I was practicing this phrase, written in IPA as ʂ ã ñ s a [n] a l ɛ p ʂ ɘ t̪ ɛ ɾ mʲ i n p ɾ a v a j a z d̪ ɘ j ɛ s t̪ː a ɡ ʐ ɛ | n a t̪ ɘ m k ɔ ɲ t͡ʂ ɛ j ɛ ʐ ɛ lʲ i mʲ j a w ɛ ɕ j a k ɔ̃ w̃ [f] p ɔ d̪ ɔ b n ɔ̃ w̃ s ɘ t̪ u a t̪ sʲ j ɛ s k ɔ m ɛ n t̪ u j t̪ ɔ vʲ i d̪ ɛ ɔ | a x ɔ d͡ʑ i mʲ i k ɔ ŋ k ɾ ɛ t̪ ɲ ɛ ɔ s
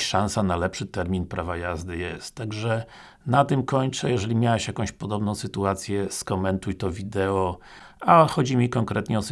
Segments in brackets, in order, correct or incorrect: correct, incorrect: ɕ

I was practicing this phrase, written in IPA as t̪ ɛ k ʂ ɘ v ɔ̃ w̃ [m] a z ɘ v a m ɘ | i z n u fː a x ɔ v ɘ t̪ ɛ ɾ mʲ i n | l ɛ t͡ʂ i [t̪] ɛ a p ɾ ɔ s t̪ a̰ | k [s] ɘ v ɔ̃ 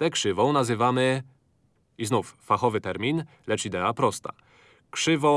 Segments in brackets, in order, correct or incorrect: incorrect: n, incorrect: d̪, incorrect: ʂ

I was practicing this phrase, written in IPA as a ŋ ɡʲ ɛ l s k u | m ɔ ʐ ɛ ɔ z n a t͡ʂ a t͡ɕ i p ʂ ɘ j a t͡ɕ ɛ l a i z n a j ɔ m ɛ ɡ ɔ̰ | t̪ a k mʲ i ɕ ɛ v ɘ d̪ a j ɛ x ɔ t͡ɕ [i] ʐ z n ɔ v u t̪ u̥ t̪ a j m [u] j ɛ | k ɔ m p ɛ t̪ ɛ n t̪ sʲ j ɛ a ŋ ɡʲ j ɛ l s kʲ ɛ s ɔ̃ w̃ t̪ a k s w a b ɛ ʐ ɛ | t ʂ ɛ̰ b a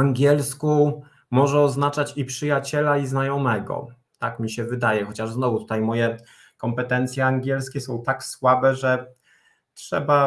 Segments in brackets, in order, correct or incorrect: incorrect: a, incorrect: ɔ

